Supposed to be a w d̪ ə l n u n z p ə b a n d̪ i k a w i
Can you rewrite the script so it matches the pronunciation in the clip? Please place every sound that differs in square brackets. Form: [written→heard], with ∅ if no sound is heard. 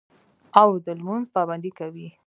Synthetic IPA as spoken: a w d̪ ə l [n→m] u n z p [ə→ɑ] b a n d̪ i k a w i